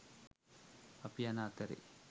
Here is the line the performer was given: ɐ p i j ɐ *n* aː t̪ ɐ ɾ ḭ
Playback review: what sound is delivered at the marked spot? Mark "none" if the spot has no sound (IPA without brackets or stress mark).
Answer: n